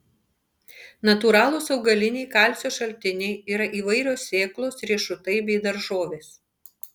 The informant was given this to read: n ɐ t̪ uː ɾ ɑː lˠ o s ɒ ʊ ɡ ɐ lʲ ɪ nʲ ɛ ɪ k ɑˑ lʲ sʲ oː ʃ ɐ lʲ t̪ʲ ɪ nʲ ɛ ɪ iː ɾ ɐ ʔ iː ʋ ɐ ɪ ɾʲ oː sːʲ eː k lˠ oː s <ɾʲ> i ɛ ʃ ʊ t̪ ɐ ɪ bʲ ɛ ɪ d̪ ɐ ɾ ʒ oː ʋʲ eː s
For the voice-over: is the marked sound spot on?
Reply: yes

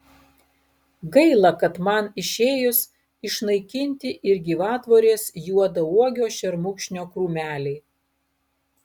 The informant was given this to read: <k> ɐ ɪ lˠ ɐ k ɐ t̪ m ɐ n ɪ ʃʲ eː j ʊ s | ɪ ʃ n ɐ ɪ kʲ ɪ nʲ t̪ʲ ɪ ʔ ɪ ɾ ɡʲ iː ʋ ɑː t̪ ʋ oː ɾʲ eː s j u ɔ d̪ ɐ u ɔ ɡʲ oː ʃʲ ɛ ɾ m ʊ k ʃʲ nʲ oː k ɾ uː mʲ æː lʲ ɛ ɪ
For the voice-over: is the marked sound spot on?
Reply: no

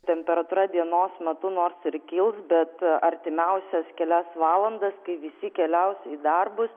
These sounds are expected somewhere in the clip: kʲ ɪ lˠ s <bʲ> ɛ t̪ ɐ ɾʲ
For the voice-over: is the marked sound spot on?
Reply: yes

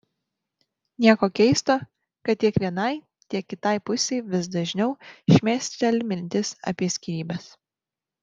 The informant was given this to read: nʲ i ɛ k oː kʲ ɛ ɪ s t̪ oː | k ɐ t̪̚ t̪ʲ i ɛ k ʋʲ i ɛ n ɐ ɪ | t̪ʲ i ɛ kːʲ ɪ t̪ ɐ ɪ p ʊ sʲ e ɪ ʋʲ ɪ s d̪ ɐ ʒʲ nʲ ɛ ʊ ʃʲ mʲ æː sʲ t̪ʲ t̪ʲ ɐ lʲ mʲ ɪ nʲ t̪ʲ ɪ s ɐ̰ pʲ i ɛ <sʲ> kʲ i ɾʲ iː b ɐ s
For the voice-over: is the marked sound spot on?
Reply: yes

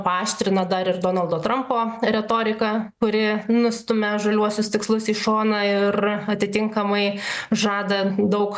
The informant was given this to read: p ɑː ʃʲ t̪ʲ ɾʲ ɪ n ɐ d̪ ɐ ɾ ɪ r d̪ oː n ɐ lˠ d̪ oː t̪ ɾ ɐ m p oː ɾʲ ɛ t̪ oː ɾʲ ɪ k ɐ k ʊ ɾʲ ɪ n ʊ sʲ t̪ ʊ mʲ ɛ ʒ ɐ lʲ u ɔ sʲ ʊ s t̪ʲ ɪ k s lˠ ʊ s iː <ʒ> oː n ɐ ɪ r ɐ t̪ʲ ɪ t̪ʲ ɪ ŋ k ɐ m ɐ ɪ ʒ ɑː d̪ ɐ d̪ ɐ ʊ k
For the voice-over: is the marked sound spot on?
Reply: no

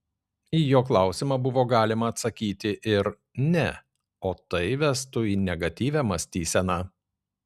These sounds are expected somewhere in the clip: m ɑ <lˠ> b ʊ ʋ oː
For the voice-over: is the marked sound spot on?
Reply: no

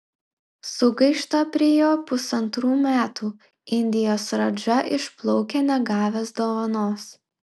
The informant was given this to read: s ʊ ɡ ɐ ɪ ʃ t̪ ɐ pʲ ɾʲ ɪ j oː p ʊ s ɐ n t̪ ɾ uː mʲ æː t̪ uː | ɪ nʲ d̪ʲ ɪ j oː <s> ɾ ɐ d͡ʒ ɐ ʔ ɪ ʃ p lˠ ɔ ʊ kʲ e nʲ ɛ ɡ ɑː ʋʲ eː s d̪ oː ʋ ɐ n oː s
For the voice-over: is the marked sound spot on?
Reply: yes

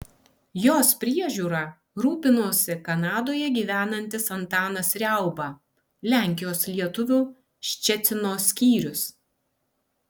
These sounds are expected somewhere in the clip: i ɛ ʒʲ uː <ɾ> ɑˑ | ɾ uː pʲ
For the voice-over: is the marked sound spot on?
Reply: yes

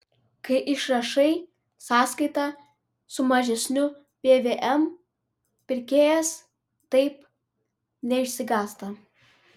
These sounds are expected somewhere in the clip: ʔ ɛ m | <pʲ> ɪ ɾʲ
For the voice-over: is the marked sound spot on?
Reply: yes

